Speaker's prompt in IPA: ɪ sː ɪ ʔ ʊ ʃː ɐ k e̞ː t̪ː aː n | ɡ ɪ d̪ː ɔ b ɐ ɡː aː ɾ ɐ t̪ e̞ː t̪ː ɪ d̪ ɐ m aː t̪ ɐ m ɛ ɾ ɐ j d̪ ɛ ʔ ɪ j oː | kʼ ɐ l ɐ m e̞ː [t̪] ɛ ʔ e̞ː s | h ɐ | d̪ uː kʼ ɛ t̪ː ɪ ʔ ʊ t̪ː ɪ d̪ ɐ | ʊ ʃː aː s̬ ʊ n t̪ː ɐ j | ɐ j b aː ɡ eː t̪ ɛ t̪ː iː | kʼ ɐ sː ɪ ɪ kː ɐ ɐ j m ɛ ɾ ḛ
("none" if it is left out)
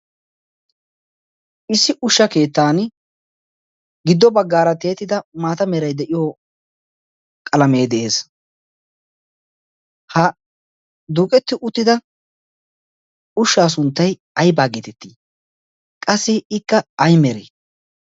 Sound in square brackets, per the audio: d̪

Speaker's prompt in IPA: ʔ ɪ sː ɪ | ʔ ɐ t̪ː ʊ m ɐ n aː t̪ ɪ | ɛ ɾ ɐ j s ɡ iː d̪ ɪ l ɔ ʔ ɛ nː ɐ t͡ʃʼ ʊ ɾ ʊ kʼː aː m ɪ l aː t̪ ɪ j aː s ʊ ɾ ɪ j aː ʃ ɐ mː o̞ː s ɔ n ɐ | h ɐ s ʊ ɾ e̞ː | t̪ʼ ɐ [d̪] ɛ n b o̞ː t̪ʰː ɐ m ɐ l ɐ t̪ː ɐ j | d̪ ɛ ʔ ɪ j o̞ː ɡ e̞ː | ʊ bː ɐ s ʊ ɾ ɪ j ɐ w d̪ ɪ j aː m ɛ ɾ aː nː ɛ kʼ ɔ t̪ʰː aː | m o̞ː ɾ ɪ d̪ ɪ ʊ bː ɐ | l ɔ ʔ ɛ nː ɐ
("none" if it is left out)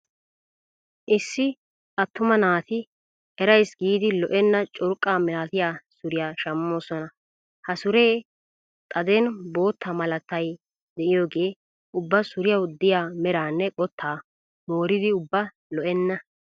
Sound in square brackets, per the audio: d̪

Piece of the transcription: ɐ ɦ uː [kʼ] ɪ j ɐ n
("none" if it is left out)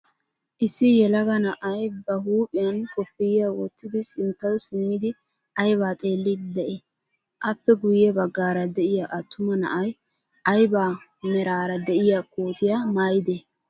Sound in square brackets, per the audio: pʼ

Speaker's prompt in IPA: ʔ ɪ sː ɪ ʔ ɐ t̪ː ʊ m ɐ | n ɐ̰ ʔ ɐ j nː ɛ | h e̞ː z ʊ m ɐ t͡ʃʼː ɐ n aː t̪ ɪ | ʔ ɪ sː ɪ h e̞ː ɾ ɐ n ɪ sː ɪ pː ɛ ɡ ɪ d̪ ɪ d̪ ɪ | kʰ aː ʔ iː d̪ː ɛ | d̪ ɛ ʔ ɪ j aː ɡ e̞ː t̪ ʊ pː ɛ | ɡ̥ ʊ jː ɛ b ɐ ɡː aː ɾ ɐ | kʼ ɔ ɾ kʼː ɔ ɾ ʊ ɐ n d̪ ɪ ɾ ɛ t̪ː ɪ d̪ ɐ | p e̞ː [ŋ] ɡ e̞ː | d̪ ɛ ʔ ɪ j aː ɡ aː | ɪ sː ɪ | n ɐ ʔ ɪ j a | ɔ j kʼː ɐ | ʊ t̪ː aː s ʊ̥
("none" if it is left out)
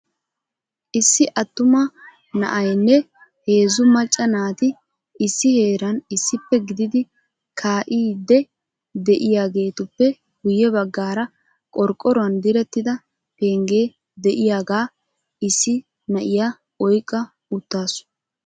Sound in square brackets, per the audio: ŋ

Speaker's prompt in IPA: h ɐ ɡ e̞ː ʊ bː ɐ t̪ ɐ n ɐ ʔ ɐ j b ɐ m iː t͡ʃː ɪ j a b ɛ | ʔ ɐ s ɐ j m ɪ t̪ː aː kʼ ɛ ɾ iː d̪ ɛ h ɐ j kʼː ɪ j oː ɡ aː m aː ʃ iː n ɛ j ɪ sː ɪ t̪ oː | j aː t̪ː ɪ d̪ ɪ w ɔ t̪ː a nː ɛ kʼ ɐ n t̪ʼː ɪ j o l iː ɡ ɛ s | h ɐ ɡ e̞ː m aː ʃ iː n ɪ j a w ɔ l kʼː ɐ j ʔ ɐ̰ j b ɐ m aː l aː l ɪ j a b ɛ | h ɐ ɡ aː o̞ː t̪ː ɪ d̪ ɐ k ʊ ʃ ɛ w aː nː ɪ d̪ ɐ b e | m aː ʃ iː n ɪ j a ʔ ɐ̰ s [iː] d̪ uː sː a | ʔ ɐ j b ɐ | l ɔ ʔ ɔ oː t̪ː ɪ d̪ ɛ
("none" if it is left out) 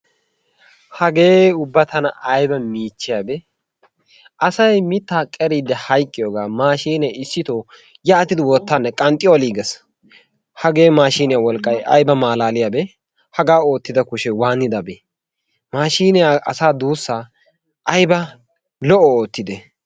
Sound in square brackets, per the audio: aː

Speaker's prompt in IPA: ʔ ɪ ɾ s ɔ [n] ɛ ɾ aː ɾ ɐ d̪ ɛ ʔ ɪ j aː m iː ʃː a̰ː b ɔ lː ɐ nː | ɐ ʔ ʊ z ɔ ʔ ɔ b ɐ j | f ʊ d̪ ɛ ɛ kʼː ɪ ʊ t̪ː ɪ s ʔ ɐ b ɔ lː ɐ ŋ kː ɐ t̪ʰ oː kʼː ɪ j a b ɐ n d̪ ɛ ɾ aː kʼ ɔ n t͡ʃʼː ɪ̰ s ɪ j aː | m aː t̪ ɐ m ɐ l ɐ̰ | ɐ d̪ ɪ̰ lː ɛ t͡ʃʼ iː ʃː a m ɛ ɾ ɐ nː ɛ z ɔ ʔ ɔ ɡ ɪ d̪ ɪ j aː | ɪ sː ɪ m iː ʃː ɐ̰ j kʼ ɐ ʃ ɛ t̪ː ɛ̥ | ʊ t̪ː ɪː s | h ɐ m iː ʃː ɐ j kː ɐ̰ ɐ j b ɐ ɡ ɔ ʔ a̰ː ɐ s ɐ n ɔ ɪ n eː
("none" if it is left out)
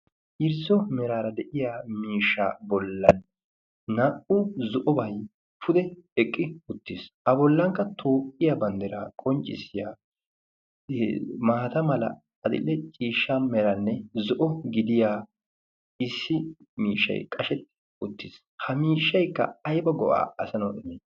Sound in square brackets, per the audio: m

